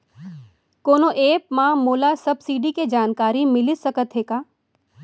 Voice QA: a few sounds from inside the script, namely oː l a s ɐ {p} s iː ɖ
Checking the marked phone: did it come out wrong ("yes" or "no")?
yes